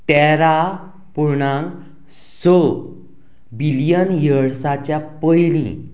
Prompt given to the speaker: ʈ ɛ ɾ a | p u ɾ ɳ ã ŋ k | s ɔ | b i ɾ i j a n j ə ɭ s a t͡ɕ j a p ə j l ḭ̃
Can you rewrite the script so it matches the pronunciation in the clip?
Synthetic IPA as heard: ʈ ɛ ɾ a | p u ɾ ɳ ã ŋ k | s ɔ | b i l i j ə n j ə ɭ s a t͡ɕ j a p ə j l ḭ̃